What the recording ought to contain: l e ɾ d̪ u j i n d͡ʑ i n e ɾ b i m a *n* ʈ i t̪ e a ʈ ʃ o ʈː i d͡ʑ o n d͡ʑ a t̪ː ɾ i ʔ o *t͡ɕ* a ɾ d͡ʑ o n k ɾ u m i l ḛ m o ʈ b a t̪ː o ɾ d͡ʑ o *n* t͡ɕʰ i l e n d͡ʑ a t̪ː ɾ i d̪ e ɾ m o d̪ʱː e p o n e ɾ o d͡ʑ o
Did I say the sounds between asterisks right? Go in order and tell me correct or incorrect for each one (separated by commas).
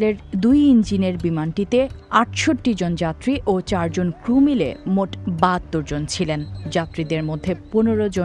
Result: correct, correct, correct